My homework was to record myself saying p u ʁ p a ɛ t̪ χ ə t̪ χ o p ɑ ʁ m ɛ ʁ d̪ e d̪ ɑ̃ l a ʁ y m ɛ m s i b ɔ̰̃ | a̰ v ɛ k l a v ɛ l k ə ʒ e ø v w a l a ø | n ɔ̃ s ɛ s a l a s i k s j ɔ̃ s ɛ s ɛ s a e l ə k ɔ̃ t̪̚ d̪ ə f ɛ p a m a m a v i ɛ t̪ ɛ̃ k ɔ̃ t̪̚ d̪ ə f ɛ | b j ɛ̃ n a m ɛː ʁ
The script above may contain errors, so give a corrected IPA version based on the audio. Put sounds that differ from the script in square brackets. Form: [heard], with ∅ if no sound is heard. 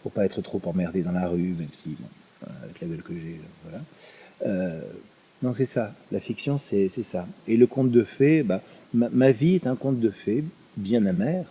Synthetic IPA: p u ʁ p a ɛ t̪ χ ə t̪ χ o p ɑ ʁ m ɛ ʁ d̪ e d̪ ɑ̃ l a ʁ y m ɛ m s i b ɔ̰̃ | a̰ v ɛ k l a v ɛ l k ə ʒ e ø v w a l a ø | n ɔ̃ s ɛ s a l a [f] i k s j ɔ̃ s ɛ s ɛ s a e l ə k ɔ̃ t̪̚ d̪ ə f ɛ [b] a m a m a v i ɛ t̪ ɛ̃ k ɔ̃ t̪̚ d̪ ə f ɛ | b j ɛ̃ n a m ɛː ʁ